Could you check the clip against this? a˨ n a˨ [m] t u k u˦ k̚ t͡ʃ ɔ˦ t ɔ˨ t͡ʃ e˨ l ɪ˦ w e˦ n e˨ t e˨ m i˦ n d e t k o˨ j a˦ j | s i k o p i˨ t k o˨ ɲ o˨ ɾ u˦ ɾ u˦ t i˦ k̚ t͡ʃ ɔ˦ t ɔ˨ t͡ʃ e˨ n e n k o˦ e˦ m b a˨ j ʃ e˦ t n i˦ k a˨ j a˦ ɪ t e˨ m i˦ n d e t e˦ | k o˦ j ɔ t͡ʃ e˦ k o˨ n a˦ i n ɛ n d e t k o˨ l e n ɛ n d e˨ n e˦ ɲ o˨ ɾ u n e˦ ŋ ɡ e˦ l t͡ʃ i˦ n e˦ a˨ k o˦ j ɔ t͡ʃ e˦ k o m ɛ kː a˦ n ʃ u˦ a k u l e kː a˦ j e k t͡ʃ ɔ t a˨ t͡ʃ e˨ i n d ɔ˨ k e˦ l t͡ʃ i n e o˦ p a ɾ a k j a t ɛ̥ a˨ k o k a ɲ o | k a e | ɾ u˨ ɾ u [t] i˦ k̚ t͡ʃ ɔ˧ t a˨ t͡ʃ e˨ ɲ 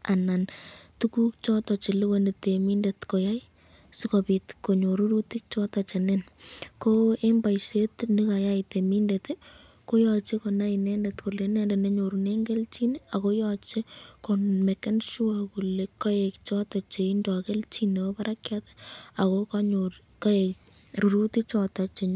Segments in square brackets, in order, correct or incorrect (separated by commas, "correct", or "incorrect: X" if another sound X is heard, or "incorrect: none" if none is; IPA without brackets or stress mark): incorrect: n, correct